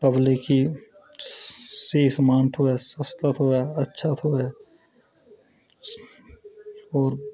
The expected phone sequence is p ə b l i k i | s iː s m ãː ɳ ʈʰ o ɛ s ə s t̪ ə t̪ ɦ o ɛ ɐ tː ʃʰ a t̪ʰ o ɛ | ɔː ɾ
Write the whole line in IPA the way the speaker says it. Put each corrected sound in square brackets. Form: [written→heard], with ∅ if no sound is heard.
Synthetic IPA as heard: p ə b l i k i | s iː s m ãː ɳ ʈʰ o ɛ s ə s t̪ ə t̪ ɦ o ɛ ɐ tː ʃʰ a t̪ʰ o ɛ | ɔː ɾ